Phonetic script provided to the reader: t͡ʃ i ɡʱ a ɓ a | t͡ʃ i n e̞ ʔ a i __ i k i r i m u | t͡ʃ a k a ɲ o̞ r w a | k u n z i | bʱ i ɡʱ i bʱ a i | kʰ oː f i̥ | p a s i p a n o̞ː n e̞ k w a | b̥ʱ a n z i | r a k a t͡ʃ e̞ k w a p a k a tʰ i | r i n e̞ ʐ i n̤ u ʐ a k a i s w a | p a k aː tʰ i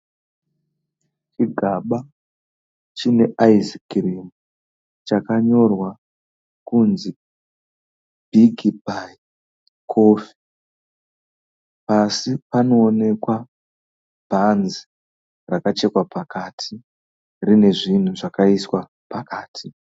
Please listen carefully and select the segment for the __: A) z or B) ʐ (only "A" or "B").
A